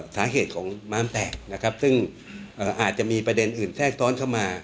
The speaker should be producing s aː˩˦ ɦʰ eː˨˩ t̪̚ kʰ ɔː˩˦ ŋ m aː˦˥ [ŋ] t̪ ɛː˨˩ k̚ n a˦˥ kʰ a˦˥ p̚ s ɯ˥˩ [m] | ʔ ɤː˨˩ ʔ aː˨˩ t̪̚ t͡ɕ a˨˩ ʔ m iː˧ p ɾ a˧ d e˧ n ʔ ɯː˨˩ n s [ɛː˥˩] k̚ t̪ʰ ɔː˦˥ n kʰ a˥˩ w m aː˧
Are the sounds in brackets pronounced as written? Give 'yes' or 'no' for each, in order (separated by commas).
no, no, yes